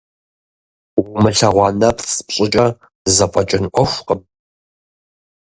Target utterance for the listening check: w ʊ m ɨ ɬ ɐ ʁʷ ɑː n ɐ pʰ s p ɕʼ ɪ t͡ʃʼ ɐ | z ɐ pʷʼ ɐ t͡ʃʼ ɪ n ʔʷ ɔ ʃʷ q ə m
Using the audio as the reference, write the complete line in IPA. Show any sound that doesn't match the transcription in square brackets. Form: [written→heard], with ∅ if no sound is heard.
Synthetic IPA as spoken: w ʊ m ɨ ɬ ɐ ʁʷ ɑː n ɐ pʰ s p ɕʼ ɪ t͡ʃʼ ɐ | z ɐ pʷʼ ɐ t͡ʃʼ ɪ n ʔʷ ɔ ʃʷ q ə m